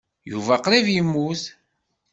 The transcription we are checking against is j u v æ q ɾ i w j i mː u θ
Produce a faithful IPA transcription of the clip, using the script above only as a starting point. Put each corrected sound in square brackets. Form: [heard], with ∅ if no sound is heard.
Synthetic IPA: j u v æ q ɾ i [v] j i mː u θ